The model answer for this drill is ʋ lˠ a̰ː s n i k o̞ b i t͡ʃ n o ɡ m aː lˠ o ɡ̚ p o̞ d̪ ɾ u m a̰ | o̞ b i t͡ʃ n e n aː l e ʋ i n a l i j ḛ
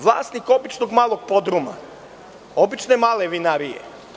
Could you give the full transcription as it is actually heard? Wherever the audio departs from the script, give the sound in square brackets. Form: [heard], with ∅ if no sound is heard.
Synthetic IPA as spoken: ʋ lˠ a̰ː s n i k o̞ b i t͡ʃ n o ɡ m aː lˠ o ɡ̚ p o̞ d̪ ɾ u m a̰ | o̞ b i t͡ʃ n e [m] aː l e ʋ i n a [ɾ] i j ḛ

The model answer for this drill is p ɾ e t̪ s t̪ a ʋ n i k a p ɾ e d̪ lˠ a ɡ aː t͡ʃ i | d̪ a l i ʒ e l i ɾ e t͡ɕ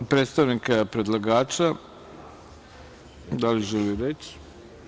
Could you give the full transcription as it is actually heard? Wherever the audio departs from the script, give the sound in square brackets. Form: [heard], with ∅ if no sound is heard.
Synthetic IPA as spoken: p ɾ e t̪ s t̪ a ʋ n i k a p ɾ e d̪ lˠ a ɡ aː t͡ʃ [a] | d̪ a l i ʒ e l i ɾ e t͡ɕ

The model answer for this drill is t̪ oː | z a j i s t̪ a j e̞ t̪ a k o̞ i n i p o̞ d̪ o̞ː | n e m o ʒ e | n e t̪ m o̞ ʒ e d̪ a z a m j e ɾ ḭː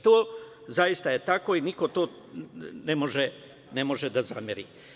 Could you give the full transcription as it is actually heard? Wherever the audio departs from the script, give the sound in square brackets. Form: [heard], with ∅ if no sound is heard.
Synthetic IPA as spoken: t̪ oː | z a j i s t̪ a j e̞ t̪ a k o̞ i n i [k] o̞ [t̪] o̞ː | n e m o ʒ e | n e [∅] m o̞ ʒ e d̪ a z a m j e ɾ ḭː

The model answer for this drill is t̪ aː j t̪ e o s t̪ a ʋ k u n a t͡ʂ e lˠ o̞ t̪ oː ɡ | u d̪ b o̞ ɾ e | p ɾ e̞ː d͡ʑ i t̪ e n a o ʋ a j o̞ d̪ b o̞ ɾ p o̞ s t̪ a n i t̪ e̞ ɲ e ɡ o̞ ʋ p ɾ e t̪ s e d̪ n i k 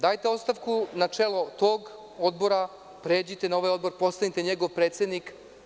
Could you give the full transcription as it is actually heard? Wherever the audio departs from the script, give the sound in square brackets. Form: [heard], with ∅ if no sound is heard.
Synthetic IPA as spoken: [d̪] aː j t̪ e o s t̪ a ʋ k u n a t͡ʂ e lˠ o̞ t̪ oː ɡ | [o] d̪ b o̞ ɾ [a] | p ɾ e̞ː d͡ʑ i t̪ e n a o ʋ a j o̞ d̪ b o̞ ɾ p o̞ s t̪ a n i t̪ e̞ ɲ e ɡ o̞ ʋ p ɾ e t̪ s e d̪ n i k

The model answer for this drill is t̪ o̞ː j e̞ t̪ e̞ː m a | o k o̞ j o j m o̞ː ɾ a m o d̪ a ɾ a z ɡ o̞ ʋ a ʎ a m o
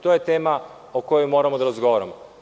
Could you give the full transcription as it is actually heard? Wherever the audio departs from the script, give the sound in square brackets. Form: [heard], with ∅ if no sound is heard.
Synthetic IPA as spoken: t̪ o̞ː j e̞ t̪ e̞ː m a | o k o̞ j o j m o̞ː ɾ a m o d̪ a ɾ a z ɡ o̞ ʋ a [ɾ] a m o

